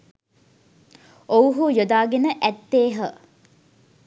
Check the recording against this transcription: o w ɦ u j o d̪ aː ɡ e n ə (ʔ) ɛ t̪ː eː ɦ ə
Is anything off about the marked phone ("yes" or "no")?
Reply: no